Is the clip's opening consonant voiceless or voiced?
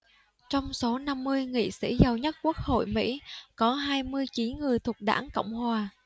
voiceless